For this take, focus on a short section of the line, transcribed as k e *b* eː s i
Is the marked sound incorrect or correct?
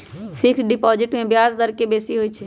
correct